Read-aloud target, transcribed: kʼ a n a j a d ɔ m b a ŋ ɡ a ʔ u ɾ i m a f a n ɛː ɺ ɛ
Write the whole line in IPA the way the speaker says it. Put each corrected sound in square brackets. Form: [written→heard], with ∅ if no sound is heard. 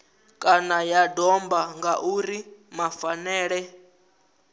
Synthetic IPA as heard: kʼ a n a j a d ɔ m b a ŋ ɡ a ʔ u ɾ i m a f a n ɛː ɺ ɛ

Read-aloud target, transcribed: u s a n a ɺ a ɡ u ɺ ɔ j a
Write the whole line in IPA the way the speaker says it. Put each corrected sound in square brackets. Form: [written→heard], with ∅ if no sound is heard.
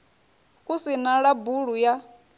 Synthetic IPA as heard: u s [a→i] n a ɺ a [ɡ→b] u ɺ [ɔ→u] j a

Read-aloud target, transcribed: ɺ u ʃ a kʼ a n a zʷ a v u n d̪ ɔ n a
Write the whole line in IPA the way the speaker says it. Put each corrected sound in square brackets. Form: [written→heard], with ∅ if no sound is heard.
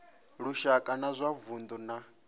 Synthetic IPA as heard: ɺ u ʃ a kʼ a n a zʷ a v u n d̪ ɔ n a

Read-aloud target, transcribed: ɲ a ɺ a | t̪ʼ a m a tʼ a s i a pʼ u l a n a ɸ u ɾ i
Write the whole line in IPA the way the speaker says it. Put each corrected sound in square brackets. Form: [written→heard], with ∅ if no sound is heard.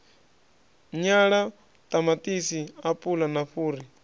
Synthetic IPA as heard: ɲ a ɺ a | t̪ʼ a m a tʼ [a→i] s i a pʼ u l a n a ɸ [u→uː] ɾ i

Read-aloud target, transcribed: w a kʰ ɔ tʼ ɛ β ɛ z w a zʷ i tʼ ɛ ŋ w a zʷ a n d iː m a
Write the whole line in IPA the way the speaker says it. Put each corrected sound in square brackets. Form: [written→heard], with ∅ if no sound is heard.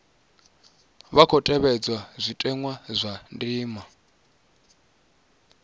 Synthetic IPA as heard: [w→β] a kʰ ɔ tʼ ɛ β ɛ [z→d͡z] w a zʷ i tʼ ɛ ŋ w a zʷ a n d iː m a

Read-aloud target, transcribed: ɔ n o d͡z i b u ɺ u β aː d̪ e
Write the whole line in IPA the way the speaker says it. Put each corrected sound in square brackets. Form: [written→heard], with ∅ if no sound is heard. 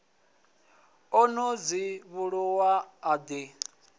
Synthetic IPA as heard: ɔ n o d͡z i [b→β] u ɺ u [β→w] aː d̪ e

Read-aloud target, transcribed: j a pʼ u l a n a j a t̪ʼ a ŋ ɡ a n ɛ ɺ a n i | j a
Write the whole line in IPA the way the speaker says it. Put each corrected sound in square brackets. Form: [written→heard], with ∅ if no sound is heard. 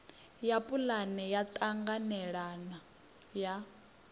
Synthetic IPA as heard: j a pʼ u l a n [a→ɛ] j a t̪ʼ a ŋ ɡ a n ɛ ɺ a n [i→a] | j a

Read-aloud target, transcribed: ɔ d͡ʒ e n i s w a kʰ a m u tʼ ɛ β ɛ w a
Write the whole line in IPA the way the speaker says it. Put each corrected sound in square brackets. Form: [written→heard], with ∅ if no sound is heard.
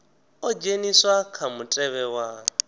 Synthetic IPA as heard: ɔ d͡ʒ e n i s w a kʰ a m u tʼ ɛ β ɛ w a

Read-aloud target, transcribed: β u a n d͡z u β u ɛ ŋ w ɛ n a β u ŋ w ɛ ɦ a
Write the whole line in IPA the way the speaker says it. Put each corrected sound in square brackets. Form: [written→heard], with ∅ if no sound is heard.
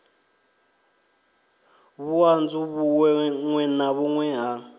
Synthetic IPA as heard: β u a n d͡z u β u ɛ ŋ w ɛ n a β u ŋ w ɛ ɦ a

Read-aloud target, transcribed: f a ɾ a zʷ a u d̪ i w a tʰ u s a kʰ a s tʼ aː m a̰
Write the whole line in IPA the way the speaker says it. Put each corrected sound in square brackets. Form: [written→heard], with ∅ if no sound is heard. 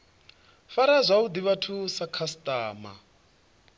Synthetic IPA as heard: f a ɾ a zʷ a u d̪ i [w→β] a tʰ u s a kʰ a s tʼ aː m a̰

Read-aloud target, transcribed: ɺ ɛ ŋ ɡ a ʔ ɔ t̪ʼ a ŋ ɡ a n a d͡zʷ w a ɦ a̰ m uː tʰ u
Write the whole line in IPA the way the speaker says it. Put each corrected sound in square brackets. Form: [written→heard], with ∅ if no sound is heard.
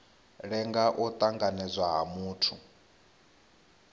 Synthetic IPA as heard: ɺ ɛ ŋ ɡ a ʔ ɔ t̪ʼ a ŋ ɡ a n [a→ɛ] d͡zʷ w a ɦ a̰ m uː tʰ u

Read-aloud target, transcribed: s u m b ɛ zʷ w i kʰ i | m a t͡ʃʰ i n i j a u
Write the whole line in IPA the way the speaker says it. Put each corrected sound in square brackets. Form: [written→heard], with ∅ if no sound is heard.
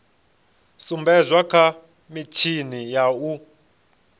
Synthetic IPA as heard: s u m b ɛ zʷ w [i→a] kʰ [i→a] | m [a→i] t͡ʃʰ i n i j a u

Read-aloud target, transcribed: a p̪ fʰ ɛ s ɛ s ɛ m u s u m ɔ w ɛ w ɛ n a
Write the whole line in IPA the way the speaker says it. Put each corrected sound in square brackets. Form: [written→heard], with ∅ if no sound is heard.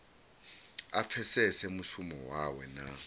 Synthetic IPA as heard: a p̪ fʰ ɛ s ɛ s ɛ m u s u m ɔ w [ɛ→a] w ɛ n a

